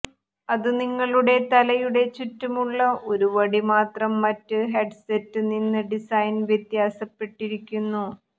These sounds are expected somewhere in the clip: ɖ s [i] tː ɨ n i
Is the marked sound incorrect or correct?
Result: incorrect